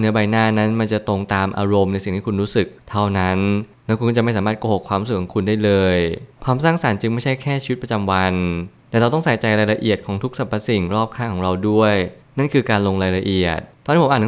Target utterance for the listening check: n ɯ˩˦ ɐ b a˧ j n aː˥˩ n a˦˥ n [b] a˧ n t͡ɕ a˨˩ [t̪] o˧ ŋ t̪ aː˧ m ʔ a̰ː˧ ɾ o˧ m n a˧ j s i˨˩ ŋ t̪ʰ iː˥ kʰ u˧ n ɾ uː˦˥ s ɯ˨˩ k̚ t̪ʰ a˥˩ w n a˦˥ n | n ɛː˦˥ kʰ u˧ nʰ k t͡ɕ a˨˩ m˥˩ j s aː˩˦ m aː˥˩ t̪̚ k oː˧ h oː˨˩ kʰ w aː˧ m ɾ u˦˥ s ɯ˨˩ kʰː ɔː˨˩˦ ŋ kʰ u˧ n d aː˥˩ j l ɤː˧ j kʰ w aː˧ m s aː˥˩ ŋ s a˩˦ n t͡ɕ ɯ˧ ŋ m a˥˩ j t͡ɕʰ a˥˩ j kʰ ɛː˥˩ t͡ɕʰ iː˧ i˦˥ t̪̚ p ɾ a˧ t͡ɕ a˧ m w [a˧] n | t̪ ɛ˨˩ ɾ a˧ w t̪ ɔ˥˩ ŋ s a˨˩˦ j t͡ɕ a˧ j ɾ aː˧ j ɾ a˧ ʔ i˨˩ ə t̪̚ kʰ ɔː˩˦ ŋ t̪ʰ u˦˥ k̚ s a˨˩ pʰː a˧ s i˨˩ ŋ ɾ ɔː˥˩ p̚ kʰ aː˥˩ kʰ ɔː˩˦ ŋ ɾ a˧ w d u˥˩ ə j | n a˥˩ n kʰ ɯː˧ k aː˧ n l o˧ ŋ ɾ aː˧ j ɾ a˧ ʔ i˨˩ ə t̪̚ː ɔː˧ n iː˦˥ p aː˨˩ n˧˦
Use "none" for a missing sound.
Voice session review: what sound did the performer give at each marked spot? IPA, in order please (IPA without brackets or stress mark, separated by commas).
m, t̪, a˧